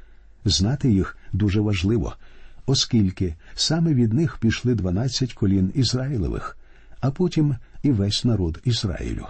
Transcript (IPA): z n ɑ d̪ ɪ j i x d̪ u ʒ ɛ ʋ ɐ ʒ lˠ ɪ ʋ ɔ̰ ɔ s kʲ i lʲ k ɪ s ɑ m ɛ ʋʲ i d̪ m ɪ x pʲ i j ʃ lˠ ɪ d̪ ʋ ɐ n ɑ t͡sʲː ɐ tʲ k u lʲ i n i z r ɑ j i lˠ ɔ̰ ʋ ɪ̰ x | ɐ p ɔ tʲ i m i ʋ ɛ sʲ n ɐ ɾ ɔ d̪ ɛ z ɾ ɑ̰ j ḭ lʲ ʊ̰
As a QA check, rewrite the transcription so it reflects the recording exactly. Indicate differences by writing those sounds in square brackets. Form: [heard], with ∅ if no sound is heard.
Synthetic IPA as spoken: z n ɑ [t̪] ɪ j i x d̪ u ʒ ɛ ʋ ɐ ʒ lˠ ɪ ʋ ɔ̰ ɔ s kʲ i lʲ k ɪ s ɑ m ɛ ʋʲ i d̪ [n] ɪ x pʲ i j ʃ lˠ ɪ d̪ ʋ ɐ n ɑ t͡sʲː ɐ tʲ k [ɔ] lʲ i n i z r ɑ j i lˠ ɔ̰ ʋ ɪ̰ x | ɐ p ɔ tʲ i m i ʋ ɛ sʲ n ɐ ɾ ɔ d̪ [i] z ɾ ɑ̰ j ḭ lʲ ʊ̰